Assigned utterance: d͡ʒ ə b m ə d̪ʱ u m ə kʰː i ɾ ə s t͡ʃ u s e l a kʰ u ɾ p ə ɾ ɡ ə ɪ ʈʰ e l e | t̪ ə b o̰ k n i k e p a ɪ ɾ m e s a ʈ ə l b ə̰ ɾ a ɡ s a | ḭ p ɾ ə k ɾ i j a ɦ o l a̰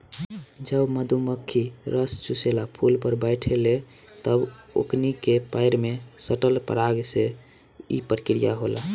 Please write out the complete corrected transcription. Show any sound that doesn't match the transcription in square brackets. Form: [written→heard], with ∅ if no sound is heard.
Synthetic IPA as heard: d͡ʒ ə b m ə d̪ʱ u m ə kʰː i ɾ ə s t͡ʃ u s e l a [kʰ→pʰ] u [ɾ→l] p ə ɾ [ɡ→b] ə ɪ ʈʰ e l e | t̪ ə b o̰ k n i k e p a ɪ ɾ m e s [a→ə] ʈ ə l [b→p] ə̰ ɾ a ɡ s [a→e] | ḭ p ɾ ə k ɾ i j a ɦ o l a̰